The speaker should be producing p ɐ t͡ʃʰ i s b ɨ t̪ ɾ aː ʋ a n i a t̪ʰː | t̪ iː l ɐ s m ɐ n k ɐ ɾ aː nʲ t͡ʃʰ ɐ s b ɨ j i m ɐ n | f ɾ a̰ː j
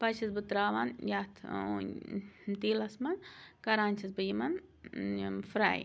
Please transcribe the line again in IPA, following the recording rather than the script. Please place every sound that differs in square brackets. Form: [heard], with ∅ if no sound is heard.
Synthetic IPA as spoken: p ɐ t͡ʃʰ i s b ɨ t̪ ɾ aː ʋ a n [j] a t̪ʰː | t̪ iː l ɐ s m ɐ n k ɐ ɾ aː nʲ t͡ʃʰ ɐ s b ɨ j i m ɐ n | f ɾ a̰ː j

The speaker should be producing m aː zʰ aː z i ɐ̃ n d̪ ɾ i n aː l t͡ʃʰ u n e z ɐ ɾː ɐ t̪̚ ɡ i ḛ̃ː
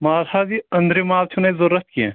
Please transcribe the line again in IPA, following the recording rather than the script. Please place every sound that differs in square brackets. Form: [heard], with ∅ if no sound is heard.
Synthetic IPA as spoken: m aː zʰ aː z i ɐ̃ n d̪ ɾ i [m] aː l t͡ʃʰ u n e z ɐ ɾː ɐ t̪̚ [k] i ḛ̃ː

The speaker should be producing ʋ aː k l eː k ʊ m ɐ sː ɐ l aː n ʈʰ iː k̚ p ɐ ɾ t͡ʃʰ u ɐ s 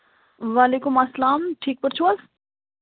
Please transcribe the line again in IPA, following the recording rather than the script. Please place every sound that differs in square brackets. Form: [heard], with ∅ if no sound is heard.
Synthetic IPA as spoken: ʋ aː [∅] l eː k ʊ m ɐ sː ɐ l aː [m] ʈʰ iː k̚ p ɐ ɾ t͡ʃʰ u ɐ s

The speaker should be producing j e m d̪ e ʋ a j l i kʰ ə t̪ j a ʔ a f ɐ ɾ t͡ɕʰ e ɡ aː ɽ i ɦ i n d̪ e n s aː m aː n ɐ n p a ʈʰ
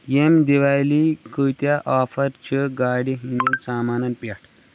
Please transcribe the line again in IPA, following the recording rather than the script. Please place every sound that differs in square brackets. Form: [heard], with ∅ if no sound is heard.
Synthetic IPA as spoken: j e m d̪ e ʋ a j l i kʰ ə t̪ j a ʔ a f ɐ ɾ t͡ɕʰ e ɡ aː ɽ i ɦ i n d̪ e n s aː m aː n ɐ n p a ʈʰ

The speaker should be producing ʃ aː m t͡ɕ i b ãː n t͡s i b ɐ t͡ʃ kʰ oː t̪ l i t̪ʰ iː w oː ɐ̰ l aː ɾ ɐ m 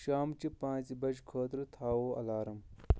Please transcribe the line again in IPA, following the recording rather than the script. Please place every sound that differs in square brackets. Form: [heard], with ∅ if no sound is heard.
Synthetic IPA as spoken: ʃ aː m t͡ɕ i [p] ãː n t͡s i b ɐ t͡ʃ kʰ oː t̪ [ɾ] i t̪ʰ [aː] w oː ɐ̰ l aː ɾ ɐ m

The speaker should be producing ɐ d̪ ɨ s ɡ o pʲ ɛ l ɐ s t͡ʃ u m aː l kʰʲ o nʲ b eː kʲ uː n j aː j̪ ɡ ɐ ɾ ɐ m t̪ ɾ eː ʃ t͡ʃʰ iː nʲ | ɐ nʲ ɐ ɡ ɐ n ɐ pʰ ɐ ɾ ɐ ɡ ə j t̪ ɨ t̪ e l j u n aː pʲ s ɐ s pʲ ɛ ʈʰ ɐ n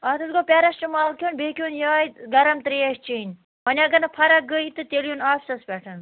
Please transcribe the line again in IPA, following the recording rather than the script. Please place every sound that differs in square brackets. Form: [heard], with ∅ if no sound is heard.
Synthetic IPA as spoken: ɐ [t̪] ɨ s ɡ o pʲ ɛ [ɾ] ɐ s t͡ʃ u m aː l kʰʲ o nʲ b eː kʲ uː n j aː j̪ ɡ ɐ ɾ ɐ m t̪ ɾ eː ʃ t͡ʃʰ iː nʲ | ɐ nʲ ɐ ɡ ɐ n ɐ pʰ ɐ ɾ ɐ ɡ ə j t̪ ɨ t̪ e l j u n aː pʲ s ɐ s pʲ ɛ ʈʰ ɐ n

